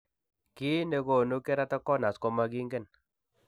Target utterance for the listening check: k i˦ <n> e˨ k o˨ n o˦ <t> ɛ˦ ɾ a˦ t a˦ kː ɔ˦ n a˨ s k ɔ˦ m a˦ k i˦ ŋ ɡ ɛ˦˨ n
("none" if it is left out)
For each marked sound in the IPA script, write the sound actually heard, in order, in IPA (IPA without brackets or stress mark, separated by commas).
n, k